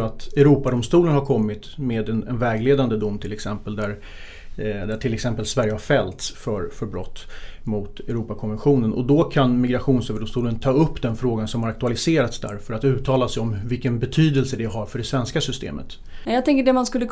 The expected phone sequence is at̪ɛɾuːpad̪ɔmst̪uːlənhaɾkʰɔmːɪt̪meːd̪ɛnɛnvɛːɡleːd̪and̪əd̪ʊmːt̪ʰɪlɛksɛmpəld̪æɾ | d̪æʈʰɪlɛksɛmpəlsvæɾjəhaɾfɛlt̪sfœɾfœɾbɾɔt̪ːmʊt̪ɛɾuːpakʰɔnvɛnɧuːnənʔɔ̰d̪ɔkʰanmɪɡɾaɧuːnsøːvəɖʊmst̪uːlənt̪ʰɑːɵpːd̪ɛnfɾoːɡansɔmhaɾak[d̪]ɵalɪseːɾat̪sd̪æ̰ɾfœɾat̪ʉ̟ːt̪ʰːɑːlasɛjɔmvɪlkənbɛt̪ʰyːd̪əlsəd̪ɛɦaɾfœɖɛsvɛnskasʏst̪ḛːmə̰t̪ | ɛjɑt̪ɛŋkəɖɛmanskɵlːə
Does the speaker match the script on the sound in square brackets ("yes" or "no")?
no